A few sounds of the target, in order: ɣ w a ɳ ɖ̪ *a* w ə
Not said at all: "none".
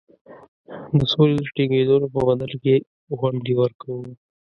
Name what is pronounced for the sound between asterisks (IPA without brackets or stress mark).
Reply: i